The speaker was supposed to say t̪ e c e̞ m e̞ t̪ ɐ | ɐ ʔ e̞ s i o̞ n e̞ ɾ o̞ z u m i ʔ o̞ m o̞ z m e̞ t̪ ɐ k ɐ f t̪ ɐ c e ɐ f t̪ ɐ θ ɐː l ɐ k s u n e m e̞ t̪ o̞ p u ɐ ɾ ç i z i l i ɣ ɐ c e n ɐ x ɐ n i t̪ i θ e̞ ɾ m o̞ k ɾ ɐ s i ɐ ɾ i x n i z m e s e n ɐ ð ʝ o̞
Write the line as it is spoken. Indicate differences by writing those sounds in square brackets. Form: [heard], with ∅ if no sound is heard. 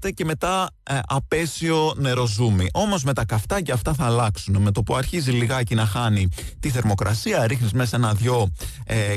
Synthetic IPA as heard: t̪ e c e̞ m e̞ t̪ ɐ | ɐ [p] e̞ s i o̞ n e̞ ɾ o̞ z u m i ʔ o̞ m o̞ z m e̞ t̪ ɐ k ɐ f t̪ ɐ c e ɐ f t̪ ɐ θ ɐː l ɐ k s u n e m e̞ t̪ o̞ p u ɐ ɾ ç i z i l i ɣ ɐ c [i] n ɐ x ɐ n i t̪ i θ e̞ ɾ m o̞ k ɾ ɐ s i ɐ ɾ i x n i z m e s e n ɐ ð ʝ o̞